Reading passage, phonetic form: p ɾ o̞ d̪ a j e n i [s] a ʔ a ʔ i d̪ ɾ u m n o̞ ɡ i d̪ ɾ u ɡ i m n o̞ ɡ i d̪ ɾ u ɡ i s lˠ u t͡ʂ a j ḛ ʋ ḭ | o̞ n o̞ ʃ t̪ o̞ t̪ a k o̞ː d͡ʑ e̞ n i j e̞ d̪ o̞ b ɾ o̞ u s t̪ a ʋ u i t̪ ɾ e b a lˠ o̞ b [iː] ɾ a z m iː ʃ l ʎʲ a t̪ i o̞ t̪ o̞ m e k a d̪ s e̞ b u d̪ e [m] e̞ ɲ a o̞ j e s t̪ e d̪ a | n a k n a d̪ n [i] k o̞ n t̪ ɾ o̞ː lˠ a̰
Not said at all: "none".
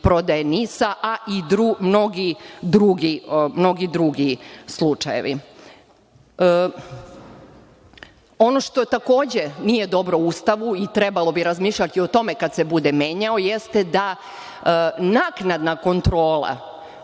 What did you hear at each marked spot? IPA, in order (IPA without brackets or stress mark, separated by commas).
s, i, m, a